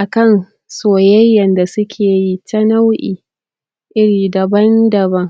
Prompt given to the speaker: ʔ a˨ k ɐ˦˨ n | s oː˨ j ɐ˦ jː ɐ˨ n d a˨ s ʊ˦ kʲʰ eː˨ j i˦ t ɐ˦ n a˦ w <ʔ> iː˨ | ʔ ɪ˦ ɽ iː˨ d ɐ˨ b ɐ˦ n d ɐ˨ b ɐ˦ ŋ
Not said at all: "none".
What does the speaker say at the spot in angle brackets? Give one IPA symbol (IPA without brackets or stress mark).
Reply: ʔ